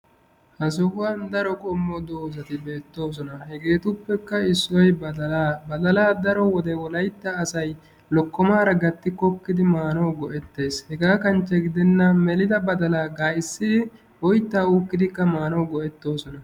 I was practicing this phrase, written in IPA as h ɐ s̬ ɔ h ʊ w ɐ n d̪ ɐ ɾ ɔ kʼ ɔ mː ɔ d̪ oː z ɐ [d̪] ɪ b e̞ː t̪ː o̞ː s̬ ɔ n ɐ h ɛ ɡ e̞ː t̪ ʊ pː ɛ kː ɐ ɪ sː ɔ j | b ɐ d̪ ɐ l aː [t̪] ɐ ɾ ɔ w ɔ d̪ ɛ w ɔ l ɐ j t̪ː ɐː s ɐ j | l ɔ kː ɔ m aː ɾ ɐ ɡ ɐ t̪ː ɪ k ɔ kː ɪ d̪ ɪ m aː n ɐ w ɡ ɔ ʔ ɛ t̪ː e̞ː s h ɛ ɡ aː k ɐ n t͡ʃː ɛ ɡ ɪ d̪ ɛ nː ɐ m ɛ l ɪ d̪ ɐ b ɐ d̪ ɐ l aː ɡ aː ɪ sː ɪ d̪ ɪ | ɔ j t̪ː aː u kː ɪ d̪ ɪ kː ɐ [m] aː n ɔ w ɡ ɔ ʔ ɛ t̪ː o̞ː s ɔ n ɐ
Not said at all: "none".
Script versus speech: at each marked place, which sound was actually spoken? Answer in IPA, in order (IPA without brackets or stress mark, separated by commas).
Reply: t̪, d̪, m